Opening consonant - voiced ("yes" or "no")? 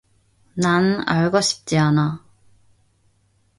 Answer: yes